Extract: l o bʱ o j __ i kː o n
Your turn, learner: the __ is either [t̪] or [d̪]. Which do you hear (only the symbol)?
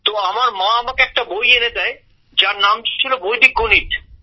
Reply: d̪